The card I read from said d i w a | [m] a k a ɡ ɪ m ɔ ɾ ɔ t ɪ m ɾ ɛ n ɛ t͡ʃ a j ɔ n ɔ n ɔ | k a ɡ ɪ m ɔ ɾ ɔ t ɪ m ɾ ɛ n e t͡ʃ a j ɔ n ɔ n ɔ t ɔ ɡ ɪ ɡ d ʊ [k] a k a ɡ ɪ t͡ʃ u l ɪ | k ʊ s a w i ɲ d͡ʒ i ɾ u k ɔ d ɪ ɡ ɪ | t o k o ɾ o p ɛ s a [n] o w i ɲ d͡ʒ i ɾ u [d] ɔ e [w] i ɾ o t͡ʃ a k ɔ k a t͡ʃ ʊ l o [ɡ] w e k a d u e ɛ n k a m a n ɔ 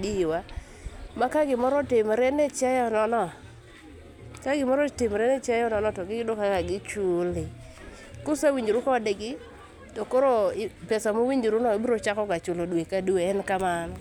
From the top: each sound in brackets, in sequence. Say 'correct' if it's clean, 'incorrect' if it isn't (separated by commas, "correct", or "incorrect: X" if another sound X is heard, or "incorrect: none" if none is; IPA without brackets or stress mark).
correct, correct, incorrect: m, incorrect: n, incorrect: b, incorrect: d